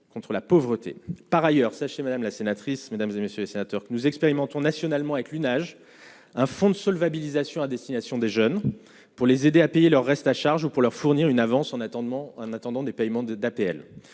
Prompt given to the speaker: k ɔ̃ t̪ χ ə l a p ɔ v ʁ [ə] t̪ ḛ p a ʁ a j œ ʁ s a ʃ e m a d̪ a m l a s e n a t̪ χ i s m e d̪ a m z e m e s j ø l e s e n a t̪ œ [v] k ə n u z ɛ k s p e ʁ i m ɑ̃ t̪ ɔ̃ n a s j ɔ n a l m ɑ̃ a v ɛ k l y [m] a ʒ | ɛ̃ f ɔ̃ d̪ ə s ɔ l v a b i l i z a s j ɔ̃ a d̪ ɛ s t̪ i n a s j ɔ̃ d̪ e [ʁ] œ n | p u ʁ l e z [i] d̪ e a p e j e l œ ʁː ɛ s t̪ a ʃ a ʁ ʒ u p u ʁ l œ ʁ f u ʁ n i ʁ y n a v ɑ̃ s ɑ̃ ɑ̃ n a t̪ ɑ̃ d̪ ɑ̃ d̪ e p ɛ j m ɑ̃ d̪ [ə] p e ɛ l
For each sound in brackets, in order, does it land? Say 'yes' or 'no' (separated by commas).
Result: yes, no, no, no, no, no